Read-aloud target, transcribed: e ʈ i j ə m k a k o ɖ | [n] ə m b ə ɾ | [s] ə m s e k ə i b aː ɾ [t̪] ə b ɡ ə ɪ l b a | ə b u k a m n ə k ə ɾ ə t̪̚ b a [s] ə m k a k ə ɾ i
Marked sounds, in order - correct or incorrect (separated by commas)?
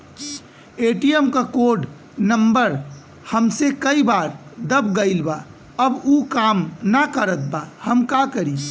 correct, incorrect, incorrect, incorrect